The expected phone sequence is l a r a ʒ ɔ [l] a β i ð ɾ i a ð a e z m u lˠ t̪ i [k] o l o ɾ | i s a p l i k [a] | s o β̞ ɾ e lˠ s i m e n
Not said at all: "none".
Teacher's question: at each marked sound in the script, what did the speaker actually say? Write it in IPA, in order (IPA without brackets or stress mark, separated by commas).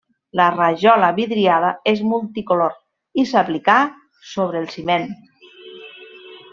l, k, a